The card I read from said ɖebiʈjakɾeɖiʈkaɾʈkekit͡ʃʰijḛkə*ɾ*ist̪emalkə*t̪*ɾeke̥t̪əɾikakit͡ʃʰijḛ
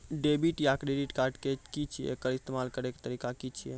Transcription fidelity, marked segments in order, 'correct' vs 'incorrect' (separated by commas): correct, incorrect